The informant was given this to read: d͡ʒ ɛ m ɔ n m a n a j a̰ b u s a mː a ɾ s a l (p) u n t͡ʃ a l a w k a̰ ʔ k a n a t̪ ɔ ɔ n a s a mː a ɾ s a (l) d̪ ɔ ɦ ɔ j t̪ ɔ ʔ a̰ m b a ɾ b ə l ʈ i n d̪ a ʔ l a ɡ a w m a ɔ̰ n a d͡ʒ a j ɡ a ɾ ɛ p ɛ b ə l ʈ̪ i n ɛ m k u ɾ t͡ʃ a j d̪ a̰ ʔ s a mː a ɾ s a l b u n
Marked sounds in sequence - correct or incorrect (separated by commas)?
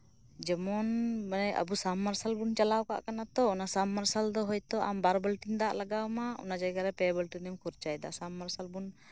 incorrect, correct